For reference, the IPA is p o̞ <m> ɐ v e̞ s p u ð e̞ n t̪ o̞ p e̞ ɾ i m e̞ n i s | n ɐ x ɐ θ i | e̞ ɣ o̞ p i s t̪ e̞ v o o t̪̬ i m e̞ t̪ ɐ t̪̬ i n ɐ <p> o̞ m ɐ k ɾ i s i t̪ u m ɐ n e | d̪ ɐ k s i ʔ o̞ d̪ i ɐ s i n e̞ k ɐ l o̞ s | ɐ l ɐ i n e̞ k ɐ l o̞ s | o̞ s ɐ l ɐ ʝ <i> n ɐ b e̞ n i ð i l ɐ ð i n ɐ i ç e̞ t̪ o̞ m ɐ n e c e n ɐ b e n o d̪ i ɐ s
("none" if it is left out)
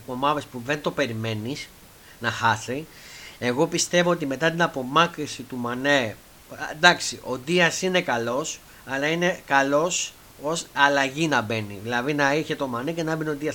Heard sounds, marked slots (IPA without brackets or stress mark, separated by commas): m, p, i